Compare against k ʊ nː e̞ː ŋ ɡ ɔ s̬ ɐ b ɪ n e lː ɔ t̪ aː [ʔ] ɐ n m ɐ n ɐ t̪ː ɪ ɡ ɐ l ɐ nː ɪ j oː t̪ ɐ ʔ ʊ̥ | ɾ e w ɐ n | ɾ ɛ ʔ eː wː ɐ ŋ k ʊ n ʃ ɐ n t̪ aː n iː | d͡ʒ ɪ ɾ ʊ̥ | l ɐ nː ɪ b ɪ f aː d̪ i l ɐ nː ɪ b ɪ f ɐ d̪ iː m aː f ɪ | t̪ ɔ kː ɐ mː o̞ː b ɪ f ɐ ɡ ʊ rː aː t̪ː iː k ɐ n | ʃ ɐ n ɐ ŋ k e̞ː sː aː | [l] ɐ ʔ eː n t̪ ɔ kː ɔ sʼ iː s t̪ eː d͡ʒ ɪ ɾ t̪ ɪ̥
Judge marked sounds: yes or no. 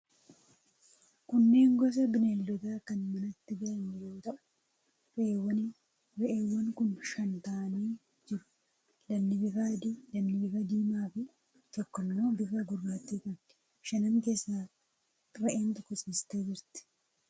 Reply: no, no

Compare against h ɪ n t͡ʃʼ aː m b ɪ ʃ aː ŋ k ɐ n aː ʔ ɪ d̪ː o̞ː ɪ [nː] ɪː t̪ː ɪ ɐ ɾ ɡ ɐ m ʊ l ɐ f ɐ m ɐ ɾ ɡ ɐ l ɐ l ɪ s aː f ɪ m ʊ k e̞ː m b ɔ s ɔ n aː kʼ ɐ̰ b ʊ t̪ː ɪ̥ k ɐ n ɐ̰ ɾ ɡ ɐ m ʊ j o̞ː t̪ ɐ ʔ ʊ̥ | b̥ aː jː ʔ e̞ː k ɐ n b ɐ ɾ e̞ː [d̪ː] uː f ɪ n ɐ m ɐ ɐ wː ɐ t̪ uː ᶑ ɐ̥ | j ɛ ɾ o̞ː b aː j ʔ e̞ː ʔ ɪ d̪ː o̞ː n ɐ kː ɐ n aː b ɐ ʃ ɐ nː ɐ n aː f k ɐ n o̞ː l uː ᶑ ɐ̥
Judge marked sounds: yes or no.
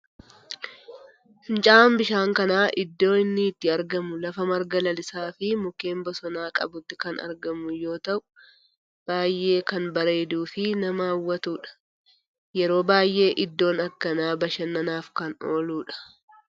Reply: yes, no

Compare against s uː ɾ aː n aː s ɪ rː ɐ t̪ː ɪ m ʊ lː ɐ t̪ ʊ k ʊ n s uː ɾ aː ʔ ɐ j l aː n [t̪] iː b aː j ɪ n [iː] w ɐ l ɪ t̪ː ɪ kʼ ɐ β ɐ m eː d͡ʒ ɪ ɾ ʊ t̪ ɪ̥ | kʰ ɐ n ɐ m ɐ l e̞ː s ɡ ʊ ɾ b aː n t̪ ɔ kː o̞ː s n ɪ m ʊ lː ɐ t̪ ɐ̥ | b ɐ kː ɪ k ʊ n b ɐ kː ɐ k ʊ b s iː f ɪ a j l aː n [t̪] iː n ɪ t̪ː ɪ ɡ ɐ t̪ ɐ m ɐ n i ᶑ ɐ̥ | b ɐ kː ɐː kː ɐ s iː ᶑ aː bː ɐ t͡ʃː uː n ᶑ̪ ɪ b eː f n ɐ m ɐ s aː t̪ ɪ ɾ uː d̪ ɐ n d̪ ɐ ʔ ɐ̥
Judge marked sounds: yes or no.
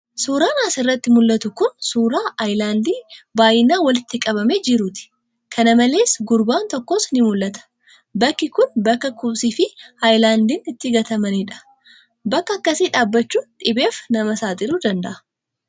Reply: no, no, no

